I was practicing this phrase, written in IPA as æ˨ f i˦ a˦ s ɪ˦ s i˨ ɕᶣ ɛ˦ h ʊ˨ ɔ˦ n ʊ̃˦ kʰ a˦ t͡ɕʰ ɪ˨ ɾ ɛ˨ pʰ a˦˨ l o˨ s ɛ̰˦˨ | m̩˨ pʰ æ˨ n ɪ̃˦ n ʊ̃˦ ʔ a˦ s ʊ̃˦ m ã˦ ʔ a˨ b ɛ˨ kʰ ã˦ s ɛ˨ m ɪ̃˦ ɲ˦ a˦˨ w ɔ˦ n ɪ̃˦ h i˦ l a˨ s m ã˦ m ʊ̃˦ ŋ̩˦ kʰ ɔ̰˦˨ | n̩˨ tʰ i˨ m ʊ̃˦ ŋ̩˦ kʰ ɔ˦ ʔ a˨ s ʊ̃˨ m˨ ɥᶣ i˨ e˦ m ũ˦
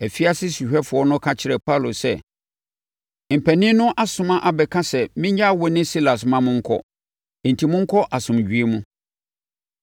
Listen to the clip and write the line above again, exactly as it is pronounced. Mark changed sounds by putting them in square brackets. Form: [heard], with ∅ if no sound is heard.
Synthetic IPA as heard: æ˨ f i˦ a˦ s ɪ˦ s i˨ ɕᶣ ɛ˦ [f] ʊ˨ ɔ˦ n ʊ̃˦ kʰ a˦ t͡ɕʰ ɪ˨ ɾ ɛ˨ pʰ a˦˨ l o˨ s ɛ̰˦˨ | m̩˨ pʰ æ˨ n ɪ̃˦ n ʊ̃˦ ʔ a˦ s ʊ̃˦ m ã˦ ʔ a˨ b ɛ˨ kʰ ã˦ s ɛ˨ m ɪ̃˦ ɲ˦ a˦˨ w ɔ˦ n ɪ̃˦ [s] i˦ l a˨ s m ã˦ m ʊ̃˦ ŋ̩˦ kʰ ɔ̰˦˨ | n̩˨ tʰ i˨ m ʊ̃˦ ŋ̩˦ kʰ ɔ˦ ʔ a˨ s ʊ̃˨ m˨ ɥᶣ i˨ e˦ m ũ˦